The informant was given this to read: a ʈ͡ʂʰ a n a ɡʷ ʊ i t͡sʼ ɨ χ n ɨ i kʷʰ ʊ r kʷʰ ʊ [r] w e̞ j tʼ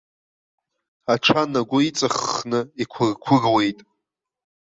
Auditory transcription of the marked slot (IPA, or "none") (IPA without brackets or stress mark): r